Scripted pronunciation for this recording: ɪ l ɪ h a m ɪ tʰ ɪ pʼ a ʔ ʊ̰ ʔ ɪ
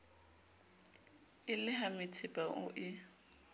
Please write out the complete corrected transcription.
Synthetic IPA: ɪ l ɪ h a m ɪ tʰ ɪ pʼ a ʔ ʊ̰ ʔ ɪ